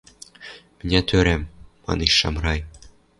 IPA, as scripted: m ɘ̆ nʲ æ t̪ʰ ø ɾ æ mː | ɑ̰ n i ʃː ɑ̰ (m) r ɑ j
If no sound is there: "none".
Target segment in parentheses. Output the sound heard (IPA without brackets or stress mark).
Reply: m